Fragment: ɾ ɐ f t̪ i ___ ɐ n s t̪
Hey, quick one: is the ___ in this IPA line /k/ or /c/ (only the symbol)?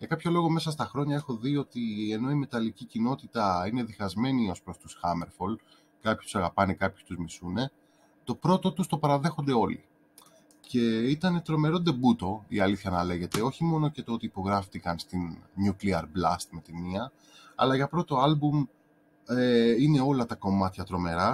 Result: k